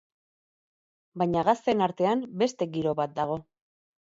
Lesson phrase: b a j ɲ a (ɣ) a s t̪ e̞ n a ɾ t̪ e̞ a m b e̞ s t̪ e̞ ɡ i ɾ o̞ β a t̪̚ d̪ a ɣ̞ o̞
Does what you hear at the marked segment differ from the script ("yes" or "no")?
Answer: no